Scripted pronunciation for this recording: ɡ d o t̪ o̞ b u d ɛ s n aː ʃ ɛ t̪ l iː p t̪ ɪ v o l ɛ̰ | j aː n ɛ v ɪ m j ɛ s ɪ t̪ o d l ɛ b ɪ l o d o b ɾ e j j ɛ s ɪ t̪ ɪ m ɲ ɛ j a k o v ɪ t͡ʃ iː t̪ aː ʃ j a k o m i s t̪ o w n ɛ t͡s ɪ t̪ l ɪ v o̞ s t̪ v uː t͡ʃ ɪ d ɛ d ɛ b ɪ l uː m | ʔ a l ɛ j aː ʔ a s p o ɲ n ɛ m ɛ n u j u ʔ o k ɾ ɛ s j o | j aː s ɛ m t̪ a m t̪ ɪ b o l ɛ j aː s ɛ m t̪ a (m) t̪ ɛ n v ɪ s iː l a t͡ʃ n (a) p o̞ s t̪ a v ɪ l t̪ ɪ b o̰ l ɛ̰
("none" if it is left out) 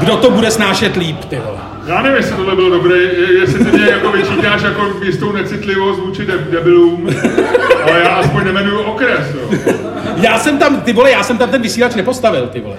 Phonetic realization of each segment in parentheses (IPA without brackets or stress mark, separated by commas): m, ɛ